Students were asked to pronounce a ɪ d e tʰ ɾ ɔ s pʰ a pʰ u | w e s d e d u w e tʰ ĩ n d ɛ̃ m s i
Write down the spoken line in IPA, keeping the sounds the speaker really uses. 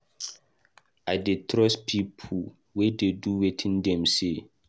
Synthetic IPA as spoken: a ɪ d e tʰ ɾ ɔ s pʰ i pʰ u | w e d e d u w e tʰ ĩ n d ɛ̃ m s e